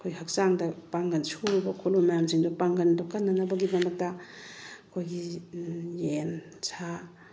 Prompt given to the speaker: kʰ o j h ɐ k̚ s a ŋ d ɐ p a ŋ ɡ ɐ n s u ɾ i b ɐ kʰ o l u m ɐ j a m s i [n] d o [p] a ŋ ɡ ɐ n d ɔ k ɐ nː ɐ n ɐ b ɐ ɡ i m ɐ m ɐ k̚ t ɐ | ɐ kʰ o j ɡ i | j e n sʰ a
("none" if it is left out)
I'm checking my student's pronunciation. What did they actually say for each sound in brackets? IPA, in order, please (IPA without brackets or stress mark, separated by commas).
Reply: ŋ, p